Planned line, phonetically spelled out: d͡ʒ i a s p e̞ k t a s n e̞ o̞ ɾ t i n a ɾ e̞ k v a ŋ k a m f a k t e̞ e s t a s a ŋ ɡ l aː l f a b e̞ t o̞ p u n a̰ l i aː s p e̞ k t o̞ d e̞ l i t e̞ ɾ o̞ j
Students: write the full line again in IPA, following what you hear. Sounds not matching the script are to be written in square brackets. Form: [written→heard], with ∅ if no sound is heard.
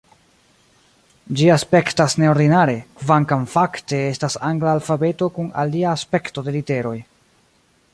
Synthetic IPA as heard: d͡ʒ i a s p e̞ k t a s n e̞ o̞ ɾ [t→d] i n a ɾ e̞ k v a ŋ k a m f a k t e̞ e s t a s a ŋ ɡ l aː l f a b e̞ t o̞ [p→k] u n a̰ l i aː s p e̞ k t o̞ d e̞ l i t e̞ ɾ o̞ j